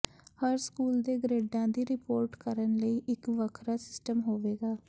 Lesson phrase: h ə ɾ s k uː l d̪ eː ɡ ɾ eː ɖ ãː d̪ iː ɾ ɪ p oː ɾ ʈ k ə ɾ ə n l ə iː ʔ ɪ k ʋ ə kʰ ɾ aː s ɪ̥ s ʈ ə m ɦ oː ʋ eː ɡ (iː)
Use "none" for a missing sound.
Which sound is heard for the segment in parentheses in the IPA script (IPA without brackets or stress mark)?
aː